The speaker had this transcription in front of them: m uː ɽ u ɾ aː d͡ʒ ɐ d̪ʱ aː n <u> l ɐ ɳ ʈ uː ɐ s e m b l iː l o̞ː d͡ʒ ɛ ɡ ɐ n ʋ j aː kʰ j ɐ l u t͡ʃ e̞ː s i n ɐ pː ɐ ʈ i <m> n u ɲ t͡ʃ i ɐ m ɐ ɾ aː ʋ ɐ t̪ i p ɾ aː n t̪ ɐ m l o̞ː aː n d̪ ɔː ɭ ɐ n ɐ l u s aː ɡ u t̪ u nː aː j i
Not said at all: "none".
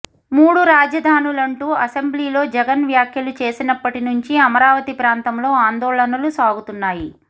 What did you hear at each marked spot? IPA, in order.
u, none

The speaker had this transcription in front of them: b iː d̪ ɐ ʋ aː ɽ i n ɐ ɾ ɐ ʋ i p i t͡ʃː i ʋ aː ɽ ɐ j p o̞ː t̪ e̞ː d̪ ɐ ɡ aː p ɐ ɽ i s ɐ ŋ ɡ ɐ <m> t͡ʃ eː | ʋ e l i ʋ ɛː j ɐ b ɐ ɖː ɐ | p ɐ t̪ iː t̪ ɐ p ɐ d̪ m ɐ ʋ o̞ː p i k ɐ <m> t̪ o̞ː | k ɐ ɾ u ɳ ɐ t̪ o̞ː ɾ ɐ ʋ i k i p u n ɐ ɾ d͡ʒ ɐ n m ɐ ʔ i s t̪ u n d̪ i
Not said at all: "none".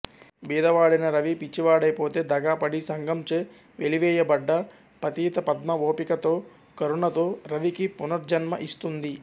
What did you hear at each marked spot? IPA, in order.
m, none

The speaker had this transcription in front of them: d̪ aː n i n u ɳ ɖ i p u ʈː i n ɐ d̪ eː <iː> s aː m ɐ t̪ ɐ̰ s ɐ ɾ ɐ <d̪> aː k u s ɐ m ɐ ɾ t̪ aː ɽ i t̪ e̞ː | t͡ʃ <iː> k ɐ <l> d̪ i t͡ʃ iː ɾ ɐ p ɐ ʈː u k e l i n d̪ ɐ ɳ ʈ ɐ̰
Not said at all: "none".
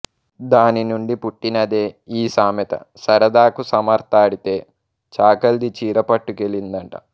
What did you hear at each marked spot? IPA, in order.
iː, d̪, aː, l

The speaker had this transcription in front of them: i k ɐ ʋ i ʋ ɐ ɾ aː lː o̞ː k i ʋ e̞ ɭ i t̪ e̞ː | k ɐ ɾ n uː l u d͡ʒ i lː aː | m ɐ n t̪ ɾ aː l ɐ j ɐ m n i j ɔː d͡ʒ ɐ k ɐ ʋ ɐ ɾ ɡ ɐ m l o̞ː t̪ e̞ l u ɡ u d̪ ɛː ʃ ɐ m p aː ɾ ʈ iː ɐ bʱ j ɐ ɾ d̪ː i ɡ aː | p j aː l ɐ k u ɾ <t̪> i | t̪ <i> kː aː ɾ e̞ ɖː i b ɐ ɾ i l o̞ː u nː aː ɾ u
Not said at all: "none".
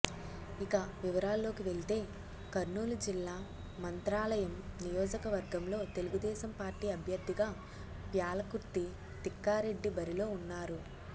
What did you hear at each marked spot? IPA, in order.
t̪, i

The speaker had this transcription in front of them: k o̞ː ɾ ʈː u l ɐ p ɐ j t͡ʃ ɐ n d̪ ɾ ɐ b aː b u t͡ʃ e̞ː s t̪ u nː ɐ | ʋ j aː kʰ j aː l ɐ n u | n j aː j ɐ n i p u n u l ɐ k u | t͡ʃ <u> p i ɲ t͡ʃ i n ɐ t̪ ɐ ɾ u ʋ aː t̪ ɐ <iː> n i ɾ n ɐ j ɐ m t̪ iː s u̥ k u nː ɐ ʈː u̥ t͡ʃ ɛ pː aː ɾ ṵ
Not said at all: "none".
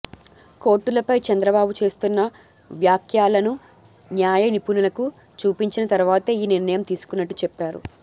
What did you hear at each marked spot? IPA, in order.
uː, iː

